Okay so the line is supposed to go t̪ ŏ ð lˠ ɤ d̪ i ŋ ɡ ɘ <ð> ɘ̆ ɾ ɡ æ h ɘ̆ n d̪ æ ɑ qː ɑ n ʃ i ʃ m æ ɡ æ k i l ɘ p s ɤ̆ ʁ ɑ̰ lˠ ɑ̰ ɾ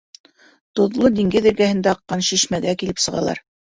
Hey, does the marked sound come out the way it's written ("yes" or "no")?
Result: yes